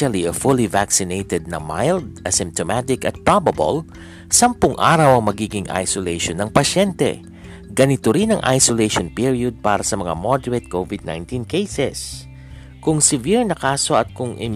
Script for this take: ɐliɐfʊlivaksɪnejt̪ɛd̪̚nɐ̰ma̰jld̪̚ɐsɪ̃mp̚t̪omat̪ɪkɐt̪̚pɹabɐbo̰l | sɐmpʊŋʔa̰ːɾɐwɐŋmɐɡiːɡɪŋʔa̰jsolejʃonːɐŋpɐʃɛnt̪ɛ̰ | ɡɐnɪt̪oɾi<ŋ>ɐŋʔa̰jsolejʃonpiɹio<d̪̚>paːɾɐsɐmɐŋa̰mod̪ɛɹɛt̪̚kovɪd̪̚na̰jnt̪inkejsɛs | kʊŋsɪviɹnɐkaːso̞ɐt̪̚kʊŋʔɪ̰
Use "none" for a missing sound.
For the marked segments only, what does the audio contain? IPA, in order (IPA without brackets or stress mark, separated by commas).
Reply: n, d̪̚